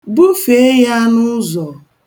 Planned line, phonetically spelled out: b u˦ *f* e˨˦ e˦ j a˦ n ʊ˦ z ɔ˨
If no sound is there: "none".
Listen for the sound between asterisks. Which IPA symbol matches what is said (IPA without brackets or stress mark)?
f